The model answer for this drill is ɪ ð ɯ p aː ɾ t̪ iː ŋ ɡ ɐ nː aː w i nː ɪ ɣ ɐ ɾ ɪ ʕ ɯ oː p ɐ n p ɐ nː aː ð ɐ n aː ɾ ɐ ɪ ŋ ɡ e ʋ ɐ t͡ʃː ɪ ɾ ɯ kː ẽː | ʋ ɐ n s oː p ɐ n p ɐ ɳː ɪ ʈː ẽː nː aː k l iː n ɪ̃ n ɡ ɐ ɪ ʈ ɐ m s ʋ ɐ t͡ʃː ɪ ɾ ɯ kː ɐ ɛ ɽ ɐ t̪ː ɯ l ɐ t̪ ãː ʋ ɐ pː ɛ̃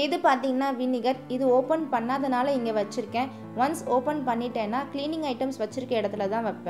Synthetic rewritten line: ɪ ð ɯ p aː ɾ t̪ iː ŋ ɡ ɐ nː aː ʋ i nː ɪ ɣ ɐ ɾ ɪ ð ɯ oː p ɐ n p ɐ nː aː ð ɐ n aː l ɐ ɪ ŋ ɡ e ʋ ɐ t͡ʃː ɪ ɾ ɯ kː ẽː | ʋ ɐ n s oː p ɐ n p ɐ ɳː ɪ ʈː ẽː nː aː k l iː n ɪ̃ ŋ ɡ ɐ ɪ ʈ ɐ m s ʋ ɐ t͡ʃː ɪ ɾ ɯ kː ɐ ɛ ɽ ɐ t̪ː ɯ l ɐ t̪ ãː ʋ ɐ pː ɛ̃